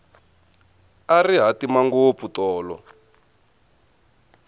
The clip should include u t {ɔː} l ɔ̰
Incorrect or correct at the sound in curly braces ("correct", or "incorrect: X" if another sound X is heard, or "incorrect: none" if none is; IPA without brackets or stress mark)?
correct